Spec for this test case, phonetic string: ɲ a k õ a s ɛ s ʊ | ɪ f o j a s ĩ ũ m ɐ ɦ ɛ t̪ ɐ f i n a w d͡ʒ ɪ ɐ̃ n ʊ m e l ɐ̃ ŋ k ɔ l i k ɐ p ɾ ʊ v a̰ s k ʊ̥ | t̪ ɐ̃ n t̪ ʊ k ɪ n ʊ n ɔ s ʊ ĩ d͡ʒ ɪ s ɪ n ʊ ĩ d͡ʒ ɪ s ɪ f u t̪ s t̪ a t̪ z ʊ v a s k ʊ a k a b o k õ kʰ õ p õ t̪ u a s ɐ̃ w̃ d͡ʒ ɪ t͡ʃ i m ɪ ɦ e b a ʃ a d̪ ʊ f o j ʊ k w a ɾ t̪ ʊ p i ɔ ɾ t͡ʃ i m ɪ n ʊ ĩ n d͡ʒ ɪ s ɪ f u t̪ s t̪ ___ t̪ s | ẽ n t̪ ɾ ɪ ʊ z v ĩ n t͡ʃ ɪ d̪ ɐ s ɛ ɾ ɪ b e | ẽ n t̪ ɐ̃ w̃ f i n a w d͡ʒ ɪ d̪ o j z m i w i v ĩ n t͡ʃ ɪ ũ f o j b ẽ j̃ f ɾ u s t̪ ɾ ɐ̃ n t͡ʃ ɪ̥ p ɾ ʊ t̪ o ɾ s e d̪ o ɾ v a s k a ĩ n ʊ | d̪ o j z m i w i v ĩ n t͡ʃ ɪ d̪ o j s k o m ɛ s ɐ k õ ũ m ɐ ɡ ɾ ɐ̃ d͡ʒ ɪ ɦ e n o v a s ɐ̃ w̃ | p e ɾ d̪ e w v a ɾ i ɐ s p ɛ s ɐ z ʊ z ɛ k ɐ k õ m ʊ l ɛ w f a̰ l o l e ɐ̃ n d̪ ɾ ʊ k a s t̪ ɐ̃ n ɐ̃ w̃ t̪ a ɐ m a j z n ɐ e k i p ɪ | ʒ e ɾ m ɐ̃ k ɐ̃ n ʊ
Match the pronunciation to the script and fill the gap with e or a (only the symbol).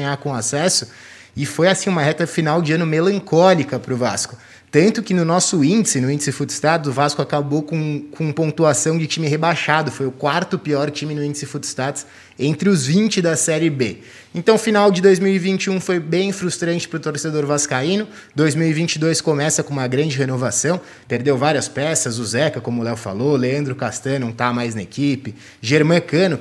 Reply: a